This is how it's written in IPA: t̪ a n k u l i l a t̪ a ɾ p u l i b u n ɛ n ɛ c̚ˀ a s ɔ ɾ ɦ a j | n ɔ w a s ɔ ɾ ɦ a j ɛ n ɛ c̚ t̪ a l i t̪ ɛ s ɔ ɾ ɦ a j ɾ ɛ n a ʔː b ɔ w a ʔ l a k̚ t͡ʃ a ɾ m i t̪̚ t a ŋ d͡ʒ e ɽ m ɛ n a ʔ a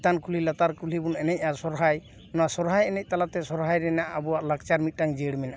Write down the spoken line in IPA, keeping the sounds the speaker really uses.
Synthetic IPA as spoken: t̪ a n k u l i l a t̪ a ɾ k u l i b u n ɛ n ɛ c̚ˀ a s ɔ ɾ ɦ a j | n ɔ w a s ɔ ɾ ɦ a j ɛ n ɛ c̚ t̪ a l a t̪ ɛ s ɔ ɾ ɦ a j ɾ ɛ n a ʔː b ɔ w a ʔ l a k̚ t͡ʃ a ɾ m i t̪̚ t a ŋ d͡ʒ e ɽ m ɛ n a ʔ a